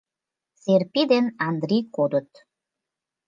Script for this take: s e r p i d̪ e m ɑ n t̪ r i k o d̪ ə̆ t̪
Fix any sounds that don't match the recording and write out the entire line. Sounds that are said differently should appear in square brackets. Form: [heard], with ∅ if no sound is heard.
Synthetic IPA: s e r p i d̪ e [n] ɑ n [d̪] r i k o d̪ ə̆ t̪